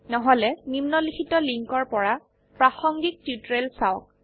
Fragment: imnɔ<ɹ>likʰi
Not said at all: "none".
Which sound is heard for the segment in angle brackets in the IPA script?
none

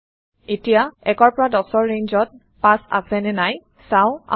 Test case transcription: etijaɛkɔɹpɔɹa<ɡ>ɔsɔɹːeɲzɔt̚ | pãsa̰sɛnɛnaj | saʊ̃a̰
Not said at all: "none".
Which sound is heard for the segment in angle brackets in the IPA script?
d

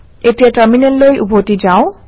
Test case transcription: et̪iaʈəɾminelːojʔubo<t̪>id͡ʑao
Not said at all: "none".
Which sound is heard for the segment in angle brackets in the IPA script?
t̪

